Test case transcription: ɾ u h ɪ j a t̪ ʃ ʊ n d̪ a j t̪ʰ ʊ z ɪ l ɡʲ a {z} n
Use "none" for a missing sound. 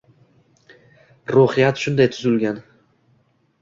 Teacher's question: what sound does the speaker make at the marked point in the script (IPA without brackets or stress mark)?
none